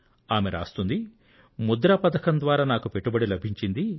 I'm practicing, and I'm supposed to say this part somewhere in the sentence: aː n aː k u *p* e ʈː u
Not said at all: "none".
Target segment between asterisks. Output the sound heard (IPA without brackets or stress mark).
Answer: p